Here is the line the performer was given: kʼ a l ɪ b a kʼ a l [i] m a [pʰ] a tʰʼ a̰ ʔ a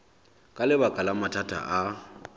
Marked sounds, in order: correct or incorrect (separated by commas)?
incorrect, incorrect